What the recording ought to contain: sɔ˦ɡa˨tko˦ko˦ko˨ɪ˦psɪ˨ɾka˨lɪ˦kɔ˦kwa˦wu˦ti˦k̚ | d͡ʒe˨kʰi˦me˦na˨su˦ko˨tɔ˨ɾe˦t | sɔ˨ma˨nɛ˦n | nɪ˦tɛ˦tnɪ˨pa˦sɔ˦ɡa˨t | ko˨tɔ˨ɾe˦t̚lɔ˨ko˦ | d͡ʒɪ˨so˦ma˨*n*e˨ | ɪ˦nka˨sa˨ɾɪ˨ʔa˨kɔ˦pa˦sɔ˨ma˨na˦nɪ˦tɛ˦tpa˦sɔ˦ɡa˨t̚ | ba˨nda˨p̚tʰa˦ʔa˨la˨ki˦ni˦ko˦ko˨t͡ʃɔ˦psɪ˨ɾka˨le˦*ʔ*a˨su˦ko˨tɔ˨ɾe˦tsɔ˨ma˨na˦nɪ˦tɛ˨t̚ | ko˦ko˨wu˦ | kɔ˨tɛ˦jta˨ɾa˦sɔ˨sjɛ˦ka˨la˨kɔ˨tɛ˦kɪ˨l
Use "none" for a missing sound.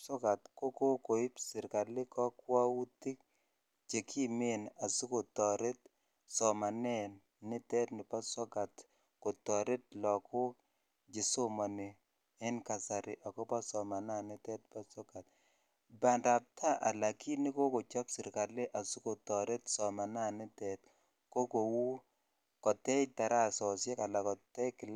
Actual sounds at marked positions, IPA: n, ʔ

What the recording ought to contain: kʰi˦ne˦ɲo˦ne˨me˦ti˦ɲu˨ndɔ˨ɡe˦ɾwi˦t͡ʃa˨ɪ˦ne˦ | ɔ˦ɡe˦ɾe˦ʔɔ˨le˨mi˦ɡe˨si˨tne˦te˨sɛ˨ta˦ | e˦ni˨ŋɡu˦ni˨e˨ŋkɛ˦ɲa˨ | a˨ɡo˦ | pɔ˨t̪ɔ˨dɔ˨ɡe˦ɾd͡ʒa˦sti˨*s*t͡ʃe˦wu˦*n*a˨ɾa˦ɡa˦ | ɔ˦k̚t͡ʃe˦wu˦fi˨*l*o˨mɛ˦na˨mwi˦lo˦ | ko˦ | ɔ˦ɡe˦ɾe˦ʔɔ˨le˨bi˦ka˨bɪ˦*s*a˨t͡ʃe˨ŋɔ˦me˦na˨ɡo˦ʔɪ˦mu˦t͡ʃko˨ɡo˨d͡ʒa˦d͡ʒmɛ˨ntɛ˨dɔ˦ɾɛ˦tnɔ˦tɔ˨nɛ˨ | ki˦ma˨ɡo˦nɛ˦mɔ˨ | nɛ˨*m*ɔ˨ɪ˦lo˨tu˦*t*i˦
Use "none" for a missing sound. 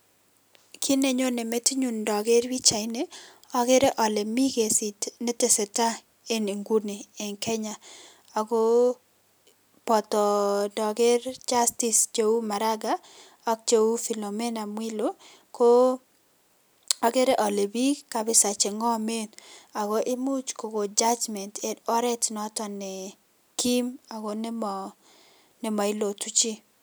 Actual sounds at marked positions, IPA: s, m, l, s, m, t͡ʃ

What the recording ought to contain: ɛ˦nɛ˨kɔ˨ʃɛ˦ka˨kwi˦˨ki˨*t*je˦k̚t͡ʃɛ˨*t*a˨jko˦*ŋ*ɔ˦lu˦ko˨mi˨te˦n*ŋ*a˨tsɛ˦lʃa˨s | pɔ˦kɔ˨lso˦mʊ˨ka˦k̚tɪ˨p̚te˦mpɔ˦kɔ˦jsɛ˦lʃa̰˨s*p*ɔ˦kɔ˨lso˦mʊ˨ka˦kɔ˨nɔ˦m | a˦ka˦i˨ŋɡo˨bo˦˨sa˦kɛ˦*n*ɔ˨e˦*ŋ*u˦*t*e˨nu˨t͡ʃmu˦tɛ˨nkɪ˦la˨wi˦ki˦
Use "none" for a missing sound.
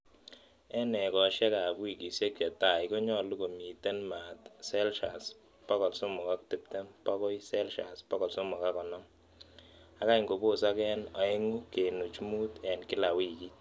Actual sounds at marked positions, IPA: s, t, ɲ, m, p, n, ŋ, k

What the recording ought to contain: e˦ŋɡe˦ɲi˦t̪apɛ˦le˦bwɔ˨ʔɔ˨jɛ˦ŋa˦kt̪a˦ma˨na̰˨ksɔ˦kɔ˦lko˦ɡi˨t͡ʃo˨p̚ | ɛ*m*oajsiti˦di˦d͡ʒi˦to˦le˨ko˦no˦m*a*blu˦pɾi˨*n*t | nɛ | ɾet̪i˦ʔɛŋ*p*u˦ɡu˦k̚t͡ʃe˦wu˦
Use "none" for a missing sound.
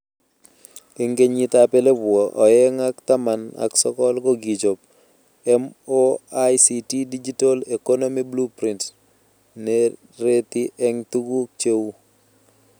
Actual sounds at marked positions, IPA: m, i, n, t

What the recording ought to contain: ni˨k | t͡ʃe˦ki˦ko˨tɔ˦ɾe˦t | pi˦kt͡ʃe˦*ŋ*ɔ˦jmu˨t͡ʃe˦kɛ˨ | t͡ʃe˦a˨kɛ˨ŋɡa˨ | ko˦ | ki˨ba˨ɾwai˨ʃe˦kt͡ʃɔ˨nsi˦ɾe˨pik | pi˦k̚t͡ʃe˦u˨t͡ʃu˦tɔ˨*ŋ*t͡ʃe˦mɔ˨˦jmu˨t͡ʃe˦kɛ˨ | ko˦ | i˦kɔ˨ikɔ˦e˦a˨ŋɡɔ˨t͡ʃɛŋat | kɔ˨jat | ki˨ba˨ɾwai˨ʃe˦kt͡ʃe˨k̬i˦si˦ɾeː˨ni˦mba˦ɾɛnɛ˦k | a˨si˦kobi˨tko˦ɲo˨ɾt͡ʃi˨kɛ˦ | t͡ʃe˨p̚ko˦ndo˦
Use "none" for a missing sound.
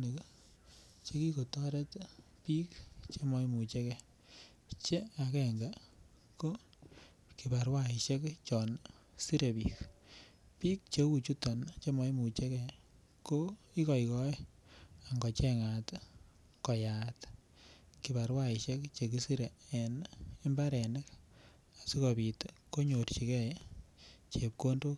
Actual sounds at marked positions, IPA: m, n

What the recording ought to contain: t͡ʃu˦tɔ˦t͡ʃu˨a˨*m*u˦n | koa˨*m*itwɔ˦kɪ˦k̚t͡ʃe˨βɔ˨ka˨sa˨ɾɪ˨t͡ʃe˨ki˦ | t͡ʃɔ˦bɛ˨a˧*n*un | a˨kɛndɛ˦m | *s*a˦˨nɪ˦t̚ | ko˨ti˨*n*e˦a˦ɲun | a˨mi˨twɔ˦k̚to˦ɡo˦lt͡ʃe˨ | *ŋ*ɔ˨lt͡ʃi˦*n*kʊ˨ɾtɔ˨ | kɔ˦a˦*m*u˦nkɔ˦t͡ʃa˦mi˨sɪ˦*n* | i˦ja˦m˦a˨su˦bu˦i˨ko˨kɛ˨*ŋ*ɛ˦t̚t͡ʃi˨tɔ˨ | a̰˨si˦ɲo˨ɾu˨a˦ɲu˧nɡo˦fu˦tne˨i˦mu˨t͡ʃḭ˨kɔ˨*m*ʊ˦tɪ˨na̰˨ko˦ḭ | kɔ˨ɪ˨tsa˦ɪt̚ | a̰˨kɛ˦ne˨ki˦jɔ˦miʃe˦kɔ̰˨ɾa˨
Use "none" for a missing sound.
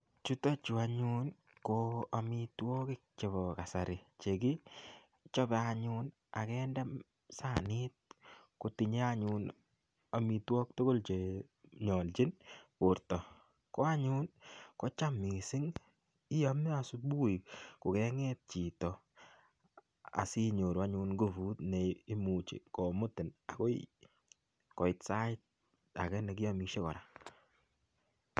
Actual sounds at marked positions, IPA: ɲ, m, ɲ, s, ɲ, ɲ, n, ɲ, ŋ, ŋ, m

